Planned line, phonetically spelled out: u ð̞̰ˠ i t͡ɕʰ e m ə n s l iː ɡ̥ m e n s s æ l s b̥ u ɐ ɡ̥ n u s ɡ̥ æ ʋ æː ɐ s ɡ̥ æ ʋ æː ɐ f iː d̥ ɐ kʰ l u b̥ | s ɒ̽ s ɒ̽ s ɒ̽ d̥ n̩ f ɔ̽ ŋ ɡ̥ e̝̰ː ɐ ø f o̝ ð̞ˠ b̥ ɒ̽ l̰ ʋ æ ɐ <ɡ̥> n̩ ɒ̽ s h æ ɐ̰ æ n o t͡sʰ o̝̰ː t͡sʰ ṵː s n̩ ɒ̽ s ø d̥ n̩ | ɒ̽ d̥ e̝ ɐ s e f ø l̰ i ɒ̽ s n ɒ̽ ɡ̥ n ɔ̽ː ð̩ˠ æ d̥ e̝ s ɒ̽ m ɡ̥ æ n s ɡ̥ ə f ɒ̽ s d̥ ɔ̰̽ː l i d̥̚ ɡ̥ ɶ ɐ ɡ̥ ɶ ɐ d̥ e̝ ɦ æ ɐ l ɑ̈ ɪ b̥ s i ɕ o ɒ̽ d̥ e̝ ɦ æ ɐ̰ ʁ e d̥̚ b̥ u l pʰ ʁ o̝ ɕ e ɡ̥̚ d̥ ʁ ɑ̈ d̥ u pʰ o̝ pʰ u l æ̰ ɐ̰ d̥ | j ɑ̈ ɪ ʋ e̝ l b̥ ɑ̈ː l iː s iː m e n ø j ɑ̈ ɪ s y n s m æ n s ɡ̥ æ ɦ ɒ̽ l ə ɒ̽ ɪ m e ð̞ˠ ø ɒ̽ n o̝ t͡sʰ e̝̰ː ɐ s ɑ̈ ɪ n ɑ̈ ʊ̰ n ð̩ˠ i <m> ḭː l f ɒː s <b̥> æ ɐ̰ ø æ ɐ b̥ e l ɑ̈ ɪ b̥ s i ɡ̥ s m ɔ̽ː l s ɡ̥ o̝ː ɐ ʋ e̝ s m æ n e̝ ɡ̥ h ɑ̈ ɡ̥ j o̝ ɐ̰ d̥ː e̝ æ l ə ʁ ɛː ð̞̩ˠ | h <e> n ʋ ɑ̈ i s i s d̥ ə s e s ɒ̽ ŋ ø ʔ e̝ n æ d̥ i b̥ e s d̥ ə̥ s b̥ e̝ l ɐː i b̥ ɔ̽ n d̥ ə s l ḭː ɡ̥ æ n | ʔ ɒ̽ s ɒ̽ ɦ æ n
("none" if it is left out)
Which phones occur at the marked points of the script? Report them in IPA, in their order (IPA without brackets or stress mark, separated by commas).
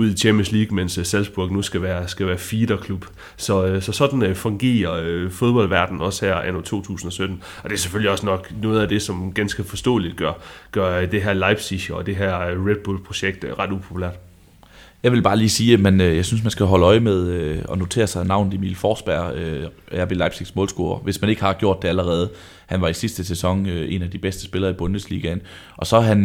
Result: d̥, m, b̥, æ